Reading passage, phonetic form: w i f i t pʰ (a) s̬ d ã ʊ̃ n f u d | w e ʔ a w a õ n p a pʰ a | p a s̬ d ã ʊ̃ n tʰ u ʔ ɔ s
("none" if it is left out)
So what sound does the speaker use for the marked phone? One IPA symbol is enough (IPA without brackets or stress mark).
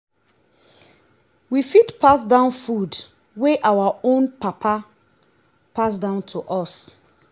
a